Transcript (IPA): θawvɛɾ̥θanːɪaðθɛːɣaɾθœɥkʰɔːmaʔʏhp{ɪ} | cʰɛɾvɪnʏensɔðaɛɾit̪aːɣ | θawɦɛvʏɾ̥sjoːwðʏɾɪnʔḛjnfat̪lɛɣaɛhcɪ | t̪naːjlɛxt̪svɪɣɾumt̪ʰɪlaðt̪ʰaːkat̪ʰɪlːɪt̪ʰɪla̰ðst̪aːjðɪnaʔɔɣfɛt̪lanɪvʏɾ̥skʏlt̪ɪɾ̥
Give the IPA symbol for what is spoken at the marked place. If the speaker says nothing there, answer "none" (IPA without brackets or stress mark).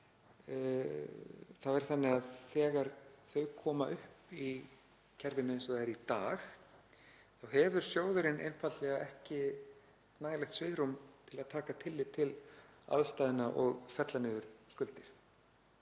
i